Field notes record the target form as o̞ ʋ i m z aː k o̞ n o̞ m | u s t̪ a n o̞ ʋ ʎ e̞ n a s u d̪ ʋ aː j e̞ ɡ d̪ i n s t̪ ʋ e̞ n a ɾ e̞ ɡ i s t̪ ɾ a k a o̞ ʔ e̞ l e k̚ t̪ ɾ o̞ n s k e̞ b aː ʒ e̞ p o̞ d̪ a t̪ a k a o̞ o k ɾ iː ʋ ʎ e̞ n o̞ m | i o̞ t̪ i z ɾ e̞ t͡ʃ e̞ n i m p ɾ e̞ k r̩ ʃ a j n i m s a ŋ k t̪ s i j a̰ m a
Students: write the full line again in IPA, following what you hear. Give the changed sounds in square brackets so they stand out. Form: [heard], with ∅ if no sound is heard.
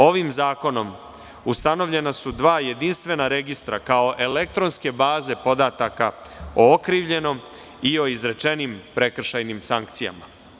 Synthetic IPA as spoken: o̞ ʋ i m z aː k o̞ n o̞ m | u s t̪ a n o̞ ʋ ʎ e̞ n a s u d̪ ʋ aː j e̞ [∅] d̪ i n s t̪ ʋ e̞ n a ɾ e̞ ɡ i s t̪ ɾ a k a o̞ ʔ e̞ l e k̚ t̪ ɾ o̞ n s k e̞ b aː [z] e̞ p o̞ d̪ a t̪ a k a o̞ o k ɾ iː ʋ ʎ e̞ n o̞ m | i o̞ [∅] i z ɾ e̞ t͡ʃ e̞ n i m p ɾ e̞ k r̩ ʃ a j n i m s a ŋ k t̪ s i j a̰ m a